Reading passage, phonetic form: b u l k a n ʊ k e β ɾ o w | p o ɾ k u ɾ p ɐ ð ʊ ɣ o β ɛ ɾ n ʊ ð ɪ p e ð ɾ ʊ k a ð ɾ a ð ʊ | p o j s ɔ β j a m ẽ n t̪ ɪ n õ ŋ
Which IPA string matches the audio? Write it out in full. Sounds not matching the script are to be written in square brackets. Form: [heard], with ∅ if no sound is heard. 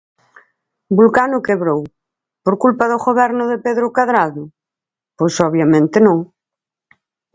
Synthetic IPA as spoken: b u l k a n ʊ k e β ɾ o w | p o ɾ k u [l] p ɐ ð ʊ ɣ o β ɛ ɾ n ʊ ð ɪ p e ð ɾ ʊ k a ð ɾ a ð ʊ | p o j s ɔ β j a m ẽ n t̪ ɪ n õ ŋ